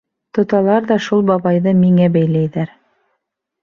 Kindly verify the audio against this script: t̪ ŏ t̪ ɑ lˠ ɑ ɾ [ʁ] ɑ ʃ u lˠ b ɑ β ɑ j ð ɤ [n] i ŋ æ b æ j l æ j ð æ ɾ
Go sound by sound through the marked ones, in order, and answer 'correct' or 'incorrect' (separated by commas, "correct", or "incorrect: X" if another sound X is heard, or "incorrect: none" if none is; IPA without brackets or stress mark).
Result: incorrect: ð, incorrect: m